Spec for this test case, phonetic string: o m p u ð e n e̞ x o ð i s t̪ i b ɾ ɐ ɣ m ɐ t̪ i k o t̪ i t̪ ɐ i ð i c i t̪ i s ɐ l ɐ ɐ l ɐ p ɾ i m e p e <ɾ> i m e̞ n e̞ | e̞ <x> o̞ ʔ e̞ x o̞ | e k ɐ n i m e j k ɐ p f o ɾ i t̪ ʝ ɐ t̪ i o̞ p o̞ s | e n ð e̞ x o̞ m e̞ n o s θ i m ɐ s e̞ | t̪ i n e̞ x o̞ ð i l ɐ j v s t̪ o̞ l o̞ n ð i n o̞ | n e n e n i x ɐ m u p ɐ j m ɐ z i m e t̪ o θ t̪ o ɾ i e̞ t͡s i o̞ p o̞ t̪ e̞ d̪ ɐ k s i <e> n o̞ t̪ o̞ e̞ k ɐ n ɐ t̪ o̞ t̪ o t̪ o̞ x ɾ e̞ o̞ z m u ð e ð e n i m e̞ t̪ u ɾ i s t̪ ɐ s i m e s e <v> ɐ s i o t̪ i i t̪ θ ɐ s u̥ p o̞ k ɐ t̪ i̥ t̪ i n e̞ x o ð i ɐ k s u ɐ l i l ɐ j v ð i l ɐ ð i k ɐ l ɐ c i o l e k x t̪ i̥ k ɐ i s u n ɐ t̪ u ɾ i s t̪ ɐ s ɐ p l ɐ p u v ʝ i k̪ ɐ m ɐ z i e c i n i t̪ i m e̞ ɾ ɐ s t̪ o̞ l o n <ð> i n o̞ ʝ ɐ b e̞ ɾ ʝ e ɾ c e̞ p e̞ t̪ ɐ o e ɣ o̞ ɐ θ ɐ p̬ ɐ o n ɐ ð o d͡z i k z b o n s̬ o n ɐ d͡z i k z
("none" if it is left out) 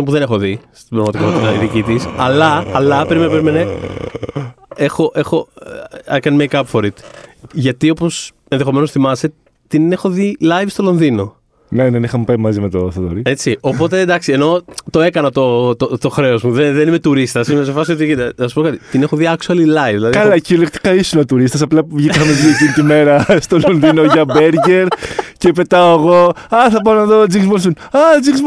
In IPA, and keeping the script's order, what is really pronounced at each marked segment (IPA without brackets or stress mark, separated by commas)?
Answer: ɾ, x, e, f, ð